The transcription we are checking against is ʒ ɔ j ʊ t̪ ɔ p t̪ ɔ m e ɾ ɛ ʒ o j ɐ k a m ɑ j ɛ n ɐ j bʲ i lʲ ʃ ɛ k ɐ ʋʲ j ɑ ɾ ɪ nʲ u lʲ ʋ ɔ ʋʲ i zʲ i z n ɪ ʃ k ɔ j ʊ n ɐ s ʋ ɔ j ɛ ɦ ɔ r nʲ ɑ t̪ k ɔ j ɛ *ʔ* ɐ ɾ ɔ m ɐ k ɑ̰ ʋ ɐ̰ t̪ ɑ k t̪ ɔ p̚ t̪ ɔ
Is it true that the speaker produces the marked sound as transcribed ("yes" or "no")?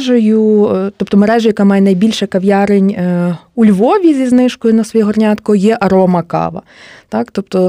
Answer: yes